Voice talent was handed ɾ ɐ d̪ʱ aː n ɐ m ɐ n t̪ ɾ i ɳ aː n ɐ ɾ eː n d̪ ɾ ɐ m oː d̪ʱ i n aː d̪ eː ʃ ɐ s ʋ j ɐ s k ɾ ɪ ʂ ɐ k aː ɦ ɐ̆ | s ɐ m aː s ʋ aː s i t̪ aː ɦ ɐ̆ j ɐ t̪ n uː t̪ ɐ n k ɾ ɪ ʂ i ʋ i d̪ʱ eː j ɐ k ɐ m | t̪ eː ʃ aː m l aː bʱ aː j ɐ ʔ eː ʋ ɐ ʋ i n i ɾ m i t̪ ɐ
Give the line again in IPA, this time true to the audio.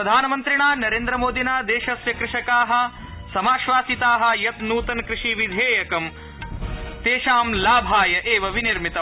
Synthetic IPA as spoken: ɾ ɐ d̪ʱ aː n ɐ m ɐ n t̪ ɾ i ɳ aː n ɐ ɾ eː n d̪ ɾ ɐ m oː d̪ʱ i n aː d̪ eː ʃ ɐ s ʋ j ɐ k ɾ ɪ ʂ ɐ k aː ɦ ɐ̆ | s ɐ m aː ʃ ʋ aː s i t̪ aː ɦ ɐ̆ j ɐ t̪ n uː t̪ ɐ n k ɾ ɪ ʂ i ʋ i d̪ʱ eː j ɐ k ɐ m | t̪ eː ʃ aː m l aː bʱ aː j ɐ ʔ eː ʋ ɐ ʋ i n i ɾ m i t̪ ɐ

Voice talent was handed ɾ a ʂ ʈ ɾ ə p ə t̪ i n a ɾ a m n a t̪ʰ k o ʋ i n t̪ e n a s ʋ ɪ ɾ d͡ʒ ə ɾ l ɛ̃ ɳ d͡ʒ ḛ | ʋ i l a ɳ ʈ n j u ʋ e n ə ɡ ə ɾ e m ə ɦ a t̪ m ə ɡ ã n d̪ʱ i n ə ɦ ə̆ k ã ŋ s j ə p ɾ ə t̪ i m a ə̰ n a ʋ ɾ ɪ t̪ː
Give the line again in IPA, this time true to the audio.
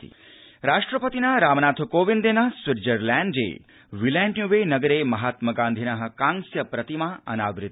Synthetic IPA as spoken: ɾ a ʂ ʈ ɾ ə p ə t̪ i n a ɾ a m n a t̪ʰ k o ʋ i n d̪ e n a s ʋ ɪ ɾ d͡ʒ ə ɾ l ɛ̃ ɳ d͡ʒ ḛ | ʋ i l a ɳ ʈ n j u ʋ e n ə ɡ ə ɾ e m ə ɦ a t̪ m ə ɡ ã n d̪ʱ i n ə ɦ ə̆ k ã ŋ s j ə p ɾ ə t̪ i m a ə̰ n a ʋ ɾ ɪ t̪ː

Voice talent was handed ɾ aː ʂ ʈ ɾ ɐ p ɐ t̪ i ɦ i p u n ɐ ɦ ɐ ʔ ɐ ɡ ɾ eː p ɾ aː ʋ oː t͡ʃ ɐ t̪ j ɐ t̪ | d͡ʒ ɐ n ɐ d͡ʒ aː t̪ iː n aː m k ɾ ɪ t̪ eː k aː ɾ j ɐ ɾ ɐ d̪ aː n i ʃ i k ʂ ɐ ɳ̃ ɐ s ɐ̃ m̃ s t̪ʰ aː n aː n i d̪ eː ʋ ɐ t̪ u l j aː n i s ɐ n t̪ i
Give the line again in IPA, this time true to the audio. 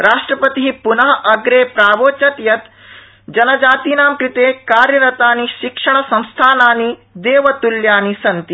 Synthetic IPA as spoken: ɾ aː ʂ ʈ ɾ ɐ p ɐ t̪ i ɦ i p u n ɐ ɦ ɐ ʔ ɐ ɡ ɾ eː p ɾ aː ʋ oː t͡ʃ ɐ t̪ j ɐ t̪ | d͡ʒ ɐ n ɐ d͡ʒ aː t̪ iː n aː m k ɾ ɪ t̪ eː k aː ɾ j ɐ ɾ ɐ t̪ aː n i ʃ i k ʂ ɐ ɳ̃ ɐ s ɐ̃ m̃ s t̪ʰ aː n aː n i d̪ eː ʋ ɐ t̪ u l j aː n i s ɐ n t̪ i

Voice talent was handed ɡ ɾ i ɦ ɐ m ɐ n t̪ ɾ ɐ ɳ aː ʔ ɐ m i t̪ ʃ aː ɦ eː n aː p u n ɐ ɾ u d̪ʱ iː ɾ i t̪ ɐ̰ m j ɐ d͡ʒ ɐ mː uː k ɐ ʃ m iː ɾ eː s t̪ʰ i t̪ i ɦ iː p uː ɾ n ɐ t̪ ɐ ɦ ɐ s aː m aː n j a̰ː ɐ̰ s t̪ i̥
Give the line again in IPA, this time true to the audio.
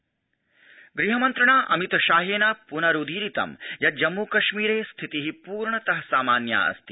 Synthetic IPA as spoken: ɡ ɾ i ɦ ɐ m ɐ n t̪ ɾ ɐ ɳ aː ʔ ɐ m i t̪ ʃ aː ɦ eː n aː p u n ɐ ɾ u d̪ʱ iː ɾ i t̪ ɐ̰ m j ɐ d͡ʒ ɐ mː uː k ɐ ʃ m iː ɾ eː s t̪ʰ i t̪ i ɦ i p uː ɾ ɳ ɐ t̪ ɐ ɦ ɐ s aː m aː n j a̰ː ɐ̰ s t̪ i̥

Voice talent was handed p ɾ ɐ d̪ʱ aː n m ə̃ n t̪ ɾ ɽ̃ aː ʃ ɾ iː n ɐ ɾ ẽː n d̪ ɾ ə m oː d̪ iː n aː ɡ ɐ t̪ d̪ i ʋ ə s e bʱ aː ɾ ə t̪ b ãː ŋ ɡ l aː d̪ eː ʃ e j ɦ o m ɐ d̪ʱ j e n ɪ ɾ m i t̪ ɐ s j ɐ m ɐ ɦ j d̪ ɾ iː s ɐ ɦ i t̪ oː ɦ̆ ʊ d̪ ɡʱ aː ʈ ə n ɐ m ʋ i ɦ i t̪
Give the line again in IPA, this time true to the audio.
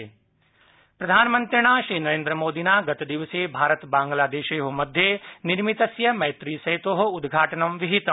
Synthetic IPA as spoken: p ɾ ɐ d̪ʱ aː n m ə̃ n t̪ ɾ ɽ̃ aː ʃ ɾ iː n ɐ ɾ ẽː n d̪ ɾ ə m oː d̪ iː n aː ɡ ɐ t̪ d̪ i ʋ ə s e bʱ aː ɾ ə t̪ b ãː ŋ ɡ l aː d̪ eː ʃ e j ɦ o m ɐ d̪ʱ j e n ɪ ɾ m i t̪ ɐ s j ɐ m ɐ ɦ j t̪ ɾ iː s ɐ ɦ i t̪ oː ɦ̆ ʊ d̪ ɡʱ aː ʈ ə n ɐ m ʋ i ɦ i t̪

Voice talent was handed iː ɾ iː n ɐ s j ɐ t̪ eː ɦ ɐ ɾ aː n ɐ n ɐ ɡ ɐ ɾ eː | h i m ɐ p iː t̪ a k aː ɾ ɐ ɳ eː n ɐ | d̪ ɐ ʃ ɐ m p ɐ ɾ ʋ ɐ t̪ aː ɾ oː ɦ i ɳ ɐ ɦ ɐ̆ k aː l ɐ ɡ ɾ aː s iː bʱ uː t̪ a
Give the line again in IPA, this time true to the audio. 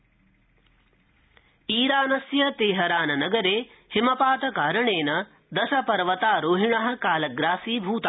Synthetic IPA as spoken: iː ɾ aː n ɐ s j ɐ t̪ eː ɦ ɐ ɾ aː n ɐ n ɐ ɡ ɐ ɾ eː | h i m ɐ p aː t̪ ɐ k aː ɾ ɐ ɳ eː n ɐ | d̪ ɐ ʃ ɐ p ɐ ɾ ʋ ɐ t̪ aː ɾ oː ɦ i ɳ ɐ ɦ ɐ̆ k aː l ɐ ɡ ɾ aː s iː bʱ uː t̪ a

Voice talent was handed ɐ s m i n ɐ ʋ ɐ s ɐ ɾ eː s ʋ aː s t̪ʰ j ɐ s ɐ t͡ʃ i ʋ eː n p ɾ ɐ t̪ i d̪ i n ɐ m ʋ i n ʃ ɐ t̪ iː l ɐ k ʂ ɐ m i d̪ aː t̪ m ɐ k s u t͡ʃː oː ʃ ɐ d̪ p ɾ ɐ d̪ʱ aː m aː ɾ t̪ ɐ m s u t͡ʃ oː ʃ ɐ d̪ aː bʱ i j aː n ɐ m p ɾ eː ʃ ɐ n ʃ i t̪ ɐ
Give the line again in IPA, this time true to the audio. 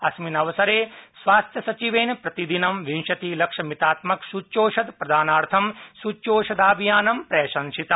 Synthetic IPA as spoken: ɐ s m i n ɐ ʋ ɐ s ɐ ɾ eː s ʋ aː s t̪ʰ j ɐ s ɐ t͡ʃ i ʋ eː n p ɾ ɐ t̪ i d̪ i n ɐ m ʋ i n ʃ ɐ t̪ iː l ɐ k ʂ ɐ m i t̪ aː t̪ m ɐ k s u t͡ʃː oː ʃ ɐ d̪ p ɾ ɐ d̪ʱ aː n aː ɾ t̪ʰ ɐ m s u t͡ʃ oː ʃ ɐ d̪ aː bʱ i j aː n ɐ m p ɾ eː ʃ ɐ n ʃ i t̪ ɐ

